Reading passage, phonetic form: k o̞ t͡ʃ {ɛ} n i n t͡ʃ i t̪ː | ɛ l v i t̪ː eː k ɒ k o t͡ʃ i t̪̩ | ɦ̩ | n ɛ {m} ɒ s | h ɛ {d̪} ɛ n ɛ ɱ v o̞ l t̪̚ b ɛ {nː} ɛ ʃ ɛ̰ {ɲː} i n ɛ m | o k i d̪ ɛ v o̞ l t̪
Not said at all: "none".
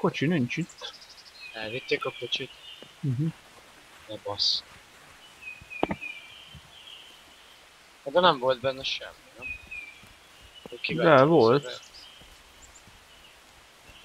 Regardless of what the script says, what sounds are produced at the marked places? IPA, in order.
i, b, d̪, nː, mː

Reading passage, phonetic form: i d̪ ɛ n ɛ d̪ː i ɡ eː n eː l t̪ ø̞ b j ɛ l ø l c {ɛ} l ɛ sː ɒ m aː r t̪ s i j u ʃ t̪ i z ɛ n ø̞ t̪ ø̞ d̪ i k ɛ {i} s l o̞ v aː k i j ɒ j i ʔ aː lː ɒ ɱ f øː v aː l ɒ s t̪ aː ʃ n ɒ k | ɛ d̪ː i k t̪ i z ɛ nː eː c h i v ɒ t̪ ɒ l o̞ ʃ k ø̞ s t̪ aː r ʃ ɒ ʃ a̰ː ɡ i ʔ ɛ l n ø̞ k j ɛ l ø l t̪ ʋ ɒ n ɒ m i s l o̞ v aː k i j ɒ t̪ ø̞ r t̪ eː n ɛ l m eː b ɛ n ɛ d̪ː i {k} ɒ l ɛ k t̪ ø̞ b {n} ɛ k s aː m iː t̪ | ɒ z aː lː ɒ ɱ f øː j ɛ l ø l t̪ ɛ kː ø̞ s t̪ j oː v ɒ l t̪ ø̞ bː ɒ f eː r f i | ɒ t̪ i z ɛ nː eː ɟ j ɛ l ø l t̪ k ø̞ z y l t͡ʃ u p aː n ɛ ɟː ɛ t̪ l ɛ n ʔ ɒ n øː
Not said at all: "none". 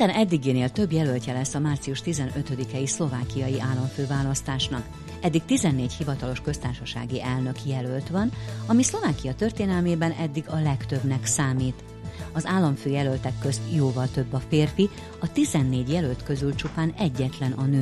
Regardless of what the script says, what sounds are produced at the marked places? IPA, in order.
ɛ, i, ɡ, n

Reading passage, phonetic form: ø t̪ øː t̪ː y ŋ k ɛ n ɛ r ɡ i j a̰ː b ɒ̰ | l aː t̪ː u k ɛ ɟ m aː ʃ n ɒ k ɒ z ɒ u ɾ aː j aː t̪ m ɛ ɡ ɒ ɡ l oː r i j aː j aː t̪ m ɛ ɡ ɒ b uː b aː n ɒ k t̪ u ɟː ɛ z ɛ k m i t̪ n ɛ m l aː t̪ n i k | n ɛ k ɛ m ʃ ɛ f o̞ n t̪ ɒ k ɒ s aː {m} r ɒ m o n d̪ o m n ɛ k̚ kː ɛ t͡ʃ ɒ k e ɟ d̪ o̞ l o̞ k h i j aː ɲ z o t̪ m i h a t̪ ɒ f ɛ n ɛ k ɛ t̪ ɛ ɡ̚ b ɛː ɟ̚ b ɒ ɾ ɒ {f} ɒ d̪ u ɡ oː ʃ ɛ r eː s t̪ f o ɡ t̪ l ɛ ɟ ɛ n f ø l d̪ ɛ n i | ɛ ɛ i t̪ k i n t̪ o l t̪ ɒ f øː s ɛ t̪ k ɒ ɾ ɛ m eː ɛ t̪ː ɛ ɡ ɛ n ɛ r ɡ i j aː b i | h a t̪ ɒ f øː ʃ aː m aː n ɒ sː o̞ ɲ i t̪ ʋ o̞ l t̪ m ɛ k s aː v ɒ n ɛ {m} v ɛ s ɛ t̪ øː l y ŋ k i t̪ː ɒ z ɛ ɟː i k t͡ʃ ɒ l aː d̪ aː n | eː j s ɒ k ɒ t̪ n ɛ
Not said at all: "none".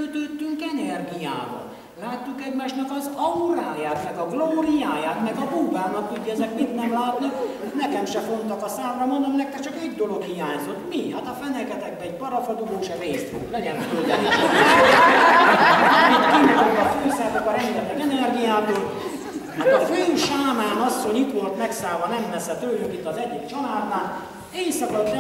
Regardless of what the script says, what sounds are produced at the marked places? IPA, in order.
m, f, m

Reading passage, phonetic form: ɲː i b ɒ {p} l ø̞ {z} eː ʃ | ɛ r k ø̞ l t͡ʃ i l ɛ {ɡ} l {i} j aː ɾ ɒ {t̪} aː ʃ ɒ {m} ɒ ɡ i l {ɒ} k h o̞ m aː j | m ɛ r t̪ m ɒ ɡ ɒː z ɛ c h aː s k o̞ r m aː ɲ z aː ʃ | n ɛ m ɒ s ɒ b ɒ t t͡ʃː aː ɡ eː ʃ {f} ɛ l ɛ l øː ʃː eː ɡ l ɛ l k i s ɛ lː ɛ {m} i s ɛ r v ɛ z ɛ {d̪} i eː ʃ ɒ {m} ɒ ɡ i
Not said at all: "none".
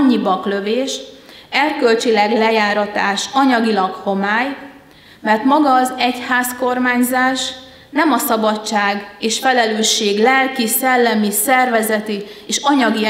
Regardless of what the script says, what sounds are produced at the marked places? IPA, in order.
k, v, ɡ, ɛ, t̪, ɲ, ɒ, f, m, t̪, ɲ

